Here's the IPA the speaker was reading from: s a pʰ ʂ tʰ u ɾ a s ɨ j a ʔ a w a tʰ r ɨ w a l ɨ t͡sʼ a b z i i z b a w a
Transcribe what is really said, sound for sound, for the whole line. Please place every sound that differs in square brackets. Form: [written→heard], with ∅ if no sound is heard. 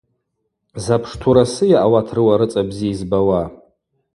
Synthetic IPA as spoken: [s→z] a pʰ ʂ tʰ u ɾ a s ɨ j a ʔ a w a tʰ r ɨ w a [l→ɾ] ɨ t͡sʼ a b z i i z b a w a